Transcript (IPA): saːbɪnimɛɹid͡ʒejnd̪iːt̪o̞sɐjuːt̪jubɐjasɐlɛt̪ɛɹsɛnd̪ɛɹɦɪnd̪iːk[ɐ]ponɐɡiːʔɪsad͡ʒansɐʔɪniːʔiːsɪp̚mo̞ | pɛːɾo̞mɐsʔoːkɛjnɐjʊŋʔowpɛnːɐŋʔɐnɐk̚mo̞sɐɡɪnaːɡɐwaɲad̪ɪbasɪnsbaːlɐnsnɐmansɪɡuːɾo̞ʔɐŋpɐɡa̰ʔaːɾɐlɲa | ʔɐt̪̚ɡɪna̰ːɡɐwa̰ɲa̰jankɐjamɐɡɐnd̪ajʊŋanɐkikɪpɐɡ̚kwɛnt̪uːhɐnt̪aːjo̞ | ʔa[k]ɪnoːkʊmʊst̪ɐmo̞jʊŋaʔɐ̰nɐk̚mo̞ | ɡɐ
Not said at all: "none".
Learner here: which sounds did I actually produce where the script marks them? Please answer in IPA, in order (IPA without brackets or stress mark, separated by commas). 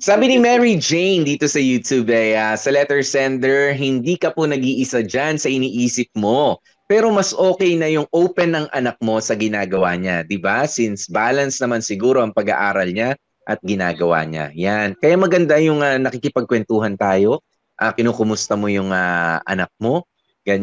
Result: ɐ, k